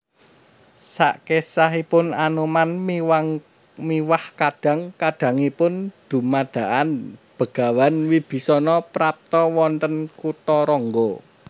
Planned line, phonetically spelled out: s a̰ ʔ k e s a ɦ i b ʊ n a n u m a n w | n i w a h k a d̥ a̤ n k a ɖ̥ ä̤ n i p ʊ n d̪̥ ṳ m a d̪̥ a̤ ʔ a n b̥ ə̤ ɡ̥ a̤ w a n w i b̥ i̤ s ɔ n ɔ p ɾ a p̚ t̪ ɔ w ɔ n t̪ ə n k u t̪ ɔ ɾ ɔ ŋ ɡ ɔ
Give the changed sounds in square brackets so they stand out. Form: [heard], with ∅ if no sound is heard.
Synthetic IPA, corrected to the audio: s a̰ ʔ k e s a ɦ i [p] ʊ n a n u m a n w | [m] i w a h k a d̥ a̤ [ŋ] k a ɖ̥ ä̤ [ŋ] i p ʊ n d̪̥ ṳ m a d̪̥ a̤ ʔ a n b̥ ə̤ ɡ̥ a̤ w a n w i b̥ i̤ s ɔ n ɔ p ɾ a p̚ t̪ ɔ w ɔ n t̪ ə n k u t̪ ɔ ɾ ɔ ŋ ɡ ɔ